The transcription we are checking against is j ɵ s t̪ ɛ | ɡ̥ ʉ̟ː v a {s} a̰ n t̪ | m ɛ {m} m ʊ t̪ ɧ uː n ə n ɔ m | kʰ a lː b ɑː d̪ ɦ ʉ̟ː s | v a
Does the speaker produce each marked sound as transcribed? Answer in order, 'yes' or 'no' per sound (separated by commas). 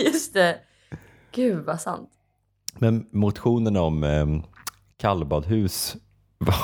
yes, no